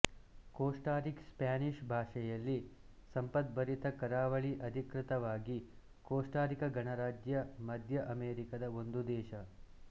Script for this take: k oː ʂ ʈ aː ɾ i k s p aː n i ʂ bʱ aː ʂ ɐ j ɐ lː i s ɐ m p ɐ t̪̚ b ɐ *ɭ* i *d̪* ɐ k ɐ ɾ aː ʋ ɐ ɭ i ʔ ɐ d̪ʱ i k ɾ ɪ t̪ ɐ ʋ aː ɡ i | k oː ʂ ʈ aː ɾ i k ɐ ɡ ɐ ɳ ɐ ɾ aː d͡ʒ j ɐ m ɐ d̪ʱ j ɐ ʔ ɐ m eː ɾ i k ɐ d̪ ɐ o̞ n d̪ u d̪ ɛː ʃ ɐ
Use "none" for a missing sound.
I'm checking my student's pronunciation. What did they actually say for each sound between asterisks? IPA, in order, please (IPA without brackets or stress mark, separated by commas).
ɾ, t̪